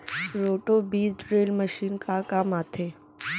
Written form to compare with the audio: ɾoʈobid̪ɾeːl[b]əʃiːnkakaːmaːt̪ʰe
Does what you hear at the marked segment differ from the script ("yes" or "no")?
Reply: yes